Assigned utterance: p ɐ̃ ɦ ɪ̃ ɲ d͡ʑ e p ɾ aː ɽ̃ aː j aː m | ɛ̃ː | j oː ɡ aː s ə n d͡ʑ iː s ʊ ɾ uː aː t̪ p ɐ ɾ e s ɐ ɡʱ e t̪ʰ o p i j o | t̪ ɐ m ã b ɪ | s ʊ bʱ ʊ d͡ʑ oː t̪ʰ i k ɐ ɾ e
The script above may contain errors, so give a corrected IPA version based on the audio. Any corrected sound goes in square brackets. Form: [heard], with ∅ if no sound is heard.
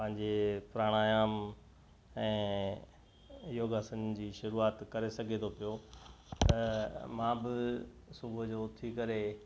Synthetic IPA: p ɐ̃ ɦ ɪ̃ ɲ d͡ʑ e p ɾ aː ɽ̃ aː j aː m | ɛ̃ː | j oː ɡ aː s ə n d͡ʑ iː [ʃ] ʊ ɾ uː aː t̪ [k] ɐ ɾ e s ɐ ɡʱ e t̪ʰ o p i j o | t̪ ɐ m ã b ɪ | s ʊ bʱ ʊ d͡ʑ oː t̪ʰ i k ɐ ɾ e